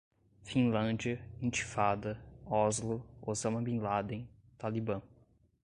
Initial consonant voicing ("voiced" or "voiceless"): voiceless